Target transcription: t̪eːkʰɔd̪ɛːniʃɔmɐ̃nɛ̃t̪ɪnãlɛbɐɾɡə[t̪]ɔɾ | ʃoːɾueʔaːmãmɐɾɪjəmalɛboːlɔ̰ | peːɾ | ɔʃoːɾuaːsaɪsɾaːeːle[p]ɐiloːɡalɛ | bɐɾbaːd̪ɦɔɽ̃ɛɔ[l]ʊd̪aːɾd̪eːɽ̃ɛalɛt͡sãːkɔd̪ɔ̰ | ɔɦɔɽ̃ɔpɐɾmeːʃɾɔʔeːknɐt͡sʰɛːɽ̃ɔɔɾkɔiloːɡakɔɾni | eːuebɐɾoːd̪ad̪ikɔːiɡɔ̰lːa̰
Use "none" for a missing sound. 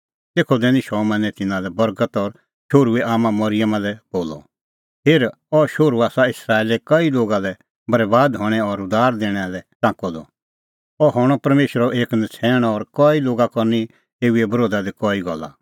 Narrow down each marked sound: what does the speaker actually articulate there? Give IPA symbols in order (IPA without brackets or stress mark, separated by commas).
t̪, k, ɾ